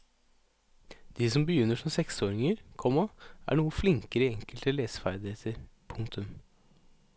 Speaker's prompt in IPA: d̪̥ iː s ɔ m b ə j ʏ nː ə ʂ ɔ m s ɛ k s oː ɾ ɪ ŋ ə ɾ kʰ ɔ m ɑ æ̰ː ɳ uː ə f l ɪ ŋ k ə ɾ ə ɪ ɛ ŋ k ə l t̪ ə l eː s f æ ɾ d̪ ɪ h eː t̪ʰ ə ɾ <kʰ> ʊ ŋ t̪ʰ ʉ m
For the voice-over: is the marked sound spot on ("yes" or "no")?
no